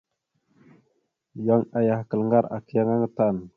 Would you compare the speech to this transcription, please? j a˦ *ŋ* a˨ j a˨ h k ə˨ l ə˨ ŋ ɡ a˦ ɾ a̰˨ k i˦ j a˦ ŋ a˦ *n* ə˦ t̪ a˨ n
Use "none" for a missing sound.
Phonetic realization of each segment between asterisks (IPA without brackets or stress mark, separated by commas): ŋ, ŋ